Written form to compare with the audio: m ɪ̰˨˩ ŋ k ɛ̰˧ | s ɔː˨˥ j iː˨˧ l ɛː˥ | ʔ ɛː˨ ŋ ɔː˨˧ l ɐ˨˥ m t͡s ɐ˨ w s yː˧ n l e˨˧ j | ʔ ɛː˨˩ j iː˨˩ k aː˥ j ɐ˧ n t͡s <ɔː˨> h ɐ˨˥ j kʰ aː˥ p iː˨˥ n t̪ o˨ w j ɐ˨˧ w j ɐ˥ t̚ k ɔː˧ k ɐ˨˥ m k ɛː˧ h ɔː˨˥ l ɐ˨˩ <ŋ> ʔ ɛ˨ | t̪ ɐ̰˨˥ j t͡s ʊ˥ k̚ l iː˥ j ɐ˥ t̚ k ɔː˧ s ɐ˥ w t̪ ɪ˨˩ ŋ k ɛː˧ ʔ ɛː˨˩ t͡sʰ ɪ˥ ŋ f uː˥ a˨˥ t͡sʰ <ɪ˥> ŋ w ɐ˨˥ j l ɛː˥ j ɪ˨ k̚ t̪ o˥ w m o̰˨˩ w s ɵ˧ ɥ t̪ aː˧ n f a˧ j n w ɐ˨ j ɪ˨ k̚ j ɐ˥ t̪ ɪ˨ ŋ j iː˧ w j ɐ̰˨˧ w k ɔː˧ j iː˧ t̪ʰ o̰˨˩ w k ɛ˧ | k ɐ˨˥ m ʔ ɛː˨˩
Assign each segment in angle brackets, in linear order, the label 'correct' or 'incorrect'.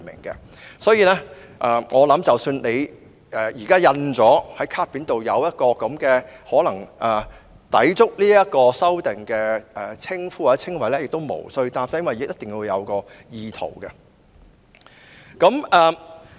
incorrect, correct, correct

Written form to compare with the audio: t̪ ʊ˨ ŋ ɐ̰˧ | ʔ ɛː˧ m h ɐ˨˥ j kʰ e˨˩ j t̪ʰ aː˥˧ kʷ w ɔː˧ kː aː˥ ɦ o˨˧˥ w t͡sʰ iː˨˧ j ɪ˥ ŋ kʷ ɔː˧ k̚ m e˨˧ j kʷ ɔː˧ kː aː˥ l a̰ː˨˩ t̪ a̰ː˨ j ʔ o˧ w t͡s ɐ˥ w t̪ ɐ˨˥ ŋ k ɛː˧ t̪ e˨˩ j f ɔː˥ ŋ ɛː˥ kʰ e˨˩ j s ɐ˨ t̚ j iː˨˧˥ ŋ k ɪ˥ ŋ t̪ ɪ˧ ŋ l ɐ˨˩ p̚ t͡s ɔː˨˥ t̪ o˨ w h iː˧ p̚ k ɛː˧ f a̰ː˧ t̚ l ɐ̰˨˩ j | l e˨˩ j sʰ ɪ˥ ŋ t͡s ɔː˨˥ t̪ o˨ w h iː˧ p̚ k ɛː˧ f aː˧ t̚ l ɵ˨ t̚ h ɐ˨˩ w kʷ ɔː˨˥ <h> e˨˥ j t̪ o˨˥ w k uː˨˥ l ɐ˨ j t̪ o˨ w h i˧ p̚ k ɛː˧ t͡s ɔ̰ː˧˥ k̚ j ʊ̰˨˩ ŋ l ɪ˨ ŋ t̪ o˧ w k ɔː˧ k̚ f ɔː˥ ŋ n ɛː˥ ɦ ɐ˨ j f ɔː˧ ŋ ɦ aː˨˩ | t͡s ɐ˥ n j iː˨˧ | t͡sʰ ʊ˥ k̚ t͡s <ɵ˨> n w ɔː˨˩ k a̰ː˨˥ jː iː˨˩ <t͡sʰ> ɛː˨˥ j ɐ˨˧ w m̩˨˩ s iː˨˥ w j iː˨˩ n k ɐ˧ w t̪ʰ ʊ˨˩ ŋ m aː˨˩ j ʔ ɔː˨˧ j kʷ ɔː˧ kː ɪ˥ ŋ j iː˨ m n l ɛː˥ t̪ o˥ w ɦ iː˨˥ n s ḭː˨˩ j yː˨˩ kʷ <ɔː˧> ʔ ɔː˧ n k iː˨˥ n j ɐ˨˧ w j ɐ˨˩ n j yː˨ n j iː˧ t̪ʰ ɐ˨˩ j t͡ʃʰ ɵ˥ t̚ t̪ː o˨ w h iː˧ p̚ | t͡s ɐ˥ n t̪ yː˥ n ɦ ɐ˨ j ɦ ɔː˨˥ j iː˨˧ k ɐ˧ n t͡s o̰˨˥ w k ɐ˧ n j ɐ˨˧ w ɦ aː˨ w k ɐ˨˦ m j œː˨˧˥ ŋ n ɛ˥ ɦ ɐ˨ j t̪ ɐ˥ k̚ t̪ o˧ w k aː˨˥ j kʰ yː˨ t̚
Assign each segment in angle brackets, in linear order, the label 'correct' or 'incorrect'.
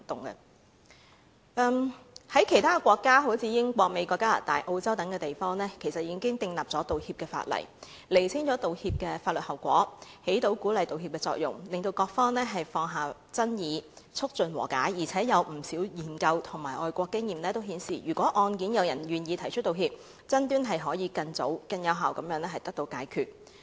correct, correct, correct, incorrect

